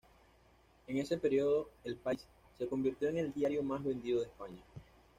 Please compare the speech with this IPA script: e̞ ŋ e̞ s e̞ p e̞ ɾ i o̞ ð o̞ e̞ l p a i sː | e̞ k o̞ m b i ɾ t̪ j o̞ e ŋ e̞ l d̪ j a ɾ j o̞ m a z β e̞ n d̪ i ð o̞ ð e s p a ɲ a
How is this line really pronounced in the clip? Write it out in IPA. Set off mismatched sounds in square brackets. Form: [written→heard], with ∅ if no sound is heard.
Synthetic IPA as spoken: e̞ ŋ e̞ s e̞ p e̞ ɾ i o̞ ð o̞ e̞ l p a i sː | e̞ k o̞ m b i ɾ t̪ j o̞ e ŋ e̞ l d̪ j a ɾ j o̞ m a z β e̞ n d̪ i ð o̞ ð e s p a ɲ a